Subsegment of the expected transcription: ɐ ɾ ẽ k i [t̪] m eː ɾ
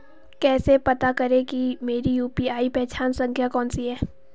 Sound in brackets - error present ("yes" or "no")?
yes